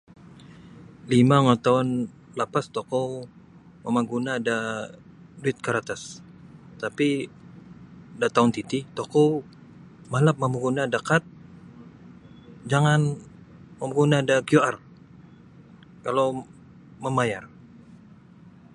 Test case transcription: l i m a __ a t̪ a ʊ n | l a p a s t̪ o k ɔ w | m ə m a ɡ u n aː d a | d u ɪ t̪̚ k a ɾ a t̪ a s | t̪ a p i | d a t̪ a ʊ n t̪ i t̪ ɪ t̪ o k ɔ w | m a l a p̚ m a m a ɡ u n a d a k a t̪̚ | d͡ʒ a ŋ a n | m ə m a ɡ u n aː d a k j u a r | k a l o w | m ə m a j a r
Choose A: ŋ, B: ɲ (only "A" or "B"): A